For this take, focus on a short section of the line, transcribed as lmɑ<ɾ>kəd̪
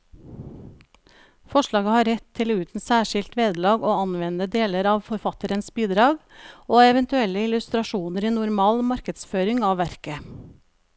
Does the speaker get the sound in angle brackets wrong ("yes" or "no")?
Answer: no